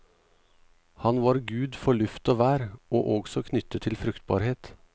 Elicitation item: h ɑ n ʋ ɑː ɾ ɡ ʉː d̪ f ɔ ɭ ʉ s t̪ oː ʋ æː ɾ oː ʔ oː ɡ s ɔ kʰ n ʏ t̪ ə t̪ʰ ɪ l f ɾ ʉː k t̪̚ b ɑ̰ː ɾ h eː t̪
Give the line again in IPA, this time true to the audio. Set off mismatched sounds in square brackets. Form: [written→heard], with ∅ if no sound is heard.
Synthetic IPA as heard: h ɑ n ʋ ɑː ɾ ɡ ʉː d̪ f ɔ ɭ ʉ [s→f] t̪ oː ʋ æː ɾ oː ʔ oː ɡ s ɔ kʰ n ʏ t̪ ə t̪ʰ ɪ l f ɾ [ʉː→ʉ] k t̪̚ b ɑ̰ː ɾ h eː t̪